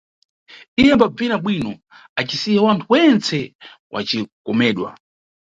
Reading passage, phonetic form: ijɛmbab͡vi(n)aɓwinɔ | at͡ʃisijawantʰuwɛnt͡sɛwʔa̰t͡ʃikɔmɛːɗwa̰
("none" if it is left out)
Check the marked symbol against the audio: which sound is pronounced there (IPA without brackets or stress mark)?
n